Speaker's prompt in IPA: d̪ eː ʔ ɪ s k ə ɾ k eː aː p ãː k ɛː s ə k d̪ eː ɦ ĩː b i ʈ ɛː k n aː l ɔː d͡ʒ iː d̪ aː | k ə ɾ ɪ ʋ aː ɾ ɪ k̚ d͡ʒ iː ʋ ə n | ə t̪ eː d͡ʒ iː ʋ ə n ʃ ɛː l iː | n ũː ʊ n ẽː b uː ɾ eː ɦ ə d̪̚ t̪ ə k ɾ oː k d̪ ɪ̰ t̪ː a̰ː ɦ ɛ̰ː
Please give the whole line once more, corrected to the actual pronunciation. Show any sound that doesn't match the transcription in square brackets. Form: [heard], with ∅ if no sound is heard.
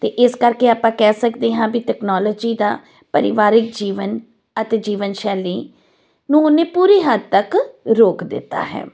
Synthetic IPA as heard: [t̪] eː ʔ ɪ s k ə ɾ k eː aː p ãː k ɛː s ə k d̪ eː ɦ [ãː] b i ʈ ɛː k n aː l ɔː d͡ʒ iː d̪ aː | [p] ə ɾ ɪ ʋ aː ɾ ɪ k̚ d͡ʒ iː ʋ ə n | ə t̪ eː d͡ʒ iː ʋ ə n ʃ ɛː l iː | n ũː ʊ n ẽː [p] uː ɾ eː ɦ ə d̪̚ t̪ ə k ɾ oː k d̪ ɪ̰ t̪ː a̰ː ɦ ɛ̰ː